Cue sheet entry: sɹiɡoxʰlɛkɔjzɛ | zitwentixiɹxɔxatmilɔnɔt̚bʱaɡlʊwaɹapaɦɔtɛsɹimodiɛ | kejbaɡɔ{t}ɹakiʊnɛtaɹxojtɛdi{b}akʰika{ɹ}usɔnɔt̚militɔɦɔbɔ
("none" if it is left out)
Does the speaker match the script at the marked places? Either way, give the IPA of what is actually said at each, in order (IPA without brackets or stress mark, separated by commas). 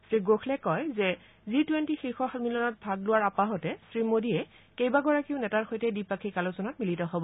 none, p, l